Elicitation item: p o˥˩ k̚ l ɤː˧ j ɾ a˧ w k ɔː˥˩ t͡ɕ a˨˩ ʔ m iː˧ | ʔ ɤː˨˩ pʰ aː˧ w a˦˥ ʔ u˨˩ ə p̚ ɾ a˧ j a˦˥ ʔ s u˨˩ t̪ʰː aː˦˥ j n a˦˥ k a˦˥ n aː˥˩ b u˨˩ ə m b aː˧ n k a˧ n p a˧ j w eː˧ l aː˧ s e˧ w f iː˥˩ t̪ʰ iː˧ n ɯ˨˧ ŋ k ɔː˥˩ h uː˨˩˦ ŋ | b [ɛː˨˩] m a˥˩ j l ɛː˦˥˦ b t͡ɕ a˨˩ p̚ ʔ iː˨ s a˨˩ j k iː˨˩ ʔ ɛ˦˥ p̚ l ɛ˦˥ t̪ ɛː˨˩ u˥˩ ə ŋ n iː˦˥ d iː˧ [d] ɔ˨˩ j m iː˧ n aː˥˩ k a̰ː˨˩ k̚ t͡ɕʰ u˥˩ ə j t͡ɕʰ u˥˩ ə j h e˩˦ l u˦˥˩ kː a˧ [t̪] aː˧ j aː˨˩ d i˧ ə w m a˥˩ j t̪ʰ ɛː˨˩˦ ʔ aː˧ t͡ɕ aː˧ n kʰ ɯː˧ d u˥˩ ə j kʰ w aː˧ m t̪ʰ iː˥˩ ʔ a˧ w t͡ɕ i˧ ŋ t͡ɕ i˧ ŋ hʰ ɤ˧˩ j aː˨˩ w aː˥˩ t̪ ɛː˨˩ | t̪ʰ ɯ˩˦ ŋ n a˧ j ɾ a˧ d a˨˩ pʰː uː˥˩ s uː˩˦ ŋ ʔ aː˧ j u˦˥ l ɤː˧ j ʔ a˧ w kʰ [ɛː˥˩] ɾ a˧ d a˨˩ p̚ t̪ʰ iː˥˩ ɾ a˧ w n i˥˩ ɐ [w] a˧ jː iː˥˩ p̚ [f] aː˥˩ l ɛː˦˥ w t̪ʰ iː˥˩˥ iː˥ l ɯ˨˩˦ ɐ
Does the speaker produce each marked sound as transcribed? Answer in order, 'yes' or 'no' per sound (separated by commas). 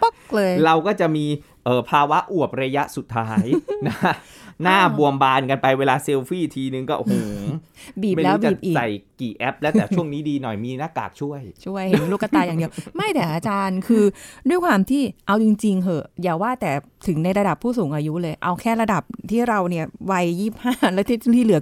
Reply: no, no, yes, yes, yes, no